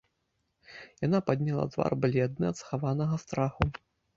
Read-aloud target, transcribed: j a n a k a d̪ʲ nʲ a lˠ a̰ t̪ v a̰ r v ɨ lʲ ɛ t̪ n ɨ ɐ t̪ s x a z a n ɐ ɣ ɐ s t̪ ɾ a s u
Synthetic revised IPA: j a n a p a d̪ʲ nʲ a lˠ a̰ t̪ v a̰ r b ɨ lʲ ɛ d̪ n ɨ ɐ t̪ s x a v a n ɐ ɣ ɐ s t̪ ɾ a x u